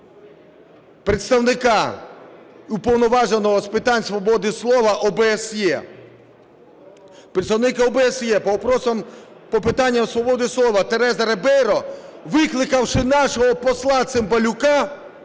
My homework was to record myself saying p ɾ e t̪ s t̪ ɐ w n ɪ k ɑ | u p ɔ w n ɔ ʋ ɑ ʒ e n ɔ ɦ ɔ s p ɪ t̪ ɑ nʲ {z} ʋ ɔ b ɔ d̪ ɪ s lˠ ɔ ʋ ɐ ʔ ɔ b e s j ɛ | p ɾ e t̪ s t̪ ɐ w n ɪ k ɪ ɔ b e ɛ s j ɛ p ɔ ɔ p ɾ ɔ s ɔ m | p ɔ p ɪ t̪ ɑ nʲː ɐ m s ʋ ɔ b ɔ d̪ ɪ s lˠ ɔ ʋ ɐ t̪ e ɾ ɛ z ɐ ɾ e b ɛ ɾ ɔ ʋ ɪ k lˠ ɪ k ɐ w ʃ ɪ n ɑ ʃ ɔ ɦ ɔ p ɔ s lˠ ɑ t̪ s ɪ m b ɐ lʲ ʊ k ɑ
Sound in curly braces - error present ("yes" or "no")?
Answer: yes